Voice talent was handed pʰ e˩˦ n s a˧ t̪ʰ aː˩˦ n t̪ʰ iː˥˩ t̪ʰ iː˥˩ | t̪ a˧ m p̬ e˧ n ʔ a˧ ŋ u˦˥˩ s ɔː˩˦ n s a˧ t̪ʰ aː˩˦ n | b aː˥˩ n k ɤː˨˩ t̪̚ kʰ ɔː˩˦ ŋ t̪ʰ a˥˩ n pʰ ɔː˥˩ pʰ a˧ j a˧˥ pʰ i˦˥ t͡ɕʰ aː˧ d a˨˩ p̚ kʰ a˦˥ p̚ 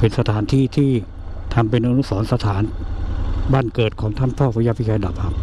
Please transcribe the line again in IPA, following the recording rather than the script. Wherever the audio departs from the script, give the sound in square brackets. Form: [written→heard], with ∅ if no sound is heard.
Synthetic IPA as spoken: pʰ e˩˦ n s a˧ t̪ʰ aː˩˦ n t̪ʰ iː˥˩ t̪ʰ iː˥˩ | [t̪→t̪ʰ] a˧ m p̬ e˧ n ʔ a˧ [ŋ→n] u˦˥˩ s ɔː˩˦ n s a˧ t̪ʰ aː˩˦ n | b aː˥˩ n k ɤː˨˩ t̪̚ kʰ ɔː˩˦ ŋ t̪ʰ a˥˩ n pʰ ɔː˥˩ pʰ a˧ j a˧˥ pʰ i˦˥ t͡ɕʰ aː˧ d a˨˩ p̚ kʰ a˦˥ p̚